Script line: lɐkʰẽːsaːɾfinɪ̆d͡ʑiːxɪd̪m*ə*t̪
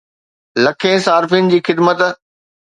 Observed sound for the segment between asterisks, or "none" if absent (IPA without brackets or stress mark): ə